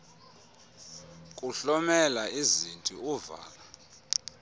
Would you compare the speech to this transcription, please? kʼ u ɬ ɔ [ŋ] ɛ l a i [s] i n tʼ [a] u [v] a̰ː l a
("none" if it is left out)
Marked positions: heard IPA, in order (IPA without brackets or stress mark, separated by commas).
m, z, i, v